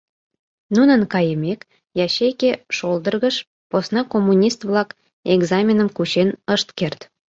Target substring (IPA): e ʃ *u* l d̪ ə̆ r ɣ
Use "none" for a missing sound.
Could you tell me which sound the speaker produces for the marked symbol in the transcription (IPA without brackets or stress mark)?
o